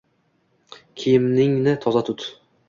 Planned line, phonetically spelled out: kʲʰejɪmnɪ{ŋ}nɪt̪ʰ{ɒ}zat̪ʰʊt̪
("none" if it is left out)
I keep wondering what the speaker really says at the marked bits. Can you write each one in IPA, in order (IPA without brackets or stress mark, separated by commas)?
ŋ, ɒ